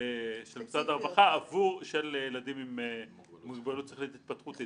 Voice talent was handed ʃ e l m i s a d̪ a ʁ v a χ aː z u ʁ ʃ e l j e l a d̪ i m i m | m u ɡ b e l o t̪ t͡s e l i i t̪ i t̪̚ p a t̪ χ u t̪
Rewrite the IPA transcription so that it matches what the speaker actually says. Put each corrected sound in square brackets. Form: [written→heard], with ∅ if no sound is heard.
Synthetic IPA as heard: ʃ e l m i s a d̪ a ʁ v a χ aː [z→v] u ʁ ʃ e l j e l a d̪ i m i m | m u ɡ b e l [o→u] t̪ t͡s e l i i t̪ i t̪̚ p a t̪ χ u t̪